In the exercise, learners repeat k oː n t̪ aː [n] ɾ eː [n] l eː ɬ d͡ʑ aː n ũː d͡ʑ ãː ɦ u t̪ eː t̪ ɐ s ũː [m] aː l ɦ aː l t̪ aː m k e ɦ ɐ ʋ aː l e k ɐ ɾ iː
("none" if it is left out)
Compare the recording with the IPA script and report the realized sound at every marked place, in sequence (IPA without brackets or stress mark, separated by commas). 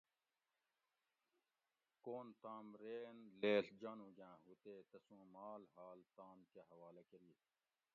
m, n, m